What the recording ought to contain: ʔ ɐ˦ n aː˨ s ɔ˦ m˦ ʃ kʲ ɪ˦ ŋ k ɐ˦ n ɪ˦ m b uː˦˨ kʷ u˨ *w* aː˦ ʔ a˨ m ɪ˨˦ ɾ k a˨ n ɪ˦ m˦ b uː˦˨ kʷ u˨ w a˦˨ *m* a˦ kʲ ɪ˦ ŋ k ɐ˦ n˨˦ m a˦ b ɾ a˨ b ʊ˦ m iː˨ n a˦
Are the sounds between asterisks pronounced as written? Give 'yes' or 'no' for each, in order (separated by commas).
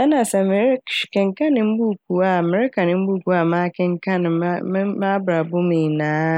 yes, yes